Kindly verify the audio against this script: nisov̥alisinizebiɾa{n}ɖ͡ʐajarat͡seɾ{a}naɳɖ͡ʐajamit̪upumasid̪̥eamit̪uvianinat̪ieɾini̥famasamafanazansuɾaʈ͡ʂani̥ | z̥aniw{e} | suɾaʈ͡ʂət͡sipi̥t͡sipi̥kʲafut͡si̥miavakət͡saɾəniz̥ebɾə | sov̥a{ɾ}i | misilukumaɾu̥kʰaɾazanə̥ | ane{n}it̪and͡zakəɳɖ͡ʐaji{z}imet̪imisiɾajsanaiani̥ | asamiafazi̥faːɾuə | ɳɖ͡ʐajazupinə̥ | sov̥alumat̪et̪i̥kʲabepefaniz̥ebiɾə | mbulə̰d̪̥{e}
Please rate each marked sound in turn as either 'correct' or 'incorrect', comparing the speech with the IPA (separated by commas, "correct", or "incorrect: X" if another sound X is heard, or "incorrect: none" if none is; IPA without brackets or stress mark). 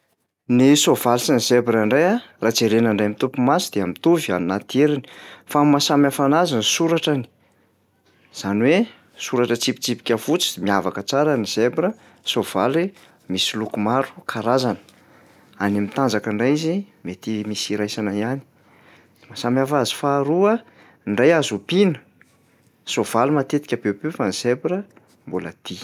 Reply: incorrect: ɳ, incorrect: e, correct, incorrect: l, incorrect: m, correct, incorrect: i